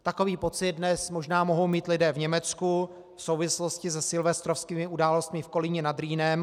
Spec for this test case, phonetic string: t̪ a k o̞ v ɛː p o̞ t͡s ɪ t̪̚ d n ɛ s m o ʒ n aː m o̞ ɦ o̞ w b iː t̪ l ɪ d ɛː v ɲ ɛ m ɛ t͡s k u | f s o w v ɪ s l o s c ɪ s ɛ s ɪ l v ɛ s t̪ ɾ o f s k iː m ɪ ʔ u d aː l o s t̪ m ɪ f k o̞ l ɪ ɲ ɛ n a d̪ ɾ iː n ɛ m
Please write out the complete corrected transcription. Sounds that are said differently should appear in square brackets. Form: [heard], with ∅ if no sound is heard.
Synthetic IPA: t̪ a k o̞ v [iː] p o̞ t͡s ɪ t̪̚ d n ɛ s m o ʒ n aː m o̞ ɦ o̞ w [m] iː t̪ l ɪ d ɛː v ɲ ɛ m ɛ t͡s k u | f s o w v ɪ s l o s c ɪ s ɛ s ɪ l v ɛ s t̪ ɾ o f s k iː m ɪ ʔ u d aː l o s t̪ m ɪ f k o̞ l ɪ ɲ ɛ n a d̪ ɾ iː n ɛ m